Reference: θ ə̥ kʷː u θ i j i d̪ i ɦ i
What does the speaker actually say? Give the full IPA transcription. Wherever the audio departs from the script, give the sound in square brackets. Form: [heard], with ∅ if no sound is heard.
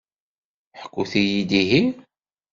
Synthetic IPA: [ħ] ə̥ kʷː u θ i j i d̪ i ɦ i